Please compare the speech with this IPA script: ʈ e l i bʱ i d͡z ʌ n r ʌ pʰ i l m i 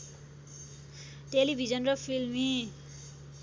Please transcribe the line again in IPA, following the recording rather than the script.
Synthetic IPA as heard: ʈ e l i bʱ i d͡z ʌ n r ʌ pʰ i l m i